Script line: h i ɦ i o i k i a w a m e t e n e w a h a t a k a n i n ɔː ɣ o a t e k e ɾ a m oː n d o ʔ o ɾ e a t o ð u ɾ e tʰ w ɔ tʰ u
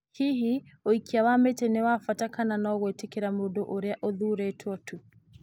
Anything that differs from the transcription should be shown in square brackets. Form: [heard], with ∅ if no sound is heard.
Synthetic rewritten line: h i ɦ i o i k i a w a m e t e n e w a [f] a t a k a n [a] n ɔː ɣ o [e] t e k e ɾ a m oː n d o ʔ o ɾ e a [ʔ] o ð u ɾ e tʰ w ɔ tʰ u